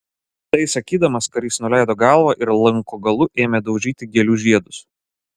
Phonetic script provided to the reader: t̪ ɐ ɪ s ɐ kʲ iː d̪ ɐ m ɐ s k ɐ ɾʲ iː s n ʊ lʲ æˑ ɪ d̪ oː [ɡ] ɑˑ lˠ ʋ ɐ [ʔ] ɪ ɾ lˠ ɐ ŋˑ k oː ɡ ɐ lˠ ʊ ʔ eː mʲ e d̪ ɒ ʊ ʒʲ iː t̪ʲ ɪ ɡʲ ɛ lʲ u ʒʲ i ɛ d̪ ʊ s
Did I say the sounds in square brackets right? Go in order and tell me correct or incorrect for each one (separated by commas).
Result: correct, correct